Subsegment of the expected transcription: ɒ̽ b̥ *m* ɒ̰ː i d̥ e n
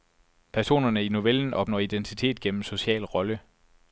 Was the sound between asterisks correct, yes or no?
no